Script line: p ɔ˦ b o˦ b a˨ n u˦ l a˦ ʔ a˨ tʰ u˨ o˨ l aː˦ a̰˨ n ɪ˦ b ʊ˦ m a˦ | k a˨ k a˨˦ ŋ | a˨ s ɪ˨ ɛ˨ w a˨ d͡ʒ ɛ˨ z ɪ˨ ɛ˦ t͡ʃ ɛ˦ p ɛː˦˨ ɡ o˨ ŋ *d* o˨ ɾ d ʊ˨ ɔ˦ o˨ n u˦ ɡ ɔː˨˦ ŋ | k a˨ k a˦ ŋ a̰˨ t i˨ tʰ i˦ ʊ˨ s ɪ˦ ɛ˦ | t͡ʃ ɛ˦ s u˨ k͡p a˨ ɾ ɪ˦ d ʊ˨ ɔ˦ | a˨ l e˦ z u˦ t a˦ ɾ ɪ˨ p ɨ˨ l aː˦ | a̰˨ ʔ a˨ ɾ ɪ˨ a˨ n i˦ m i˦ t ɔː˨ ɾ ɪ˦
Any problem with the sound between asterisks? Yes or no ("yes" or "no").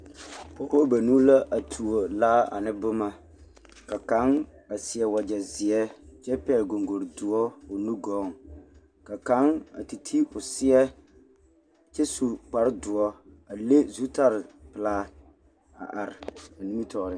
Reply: yes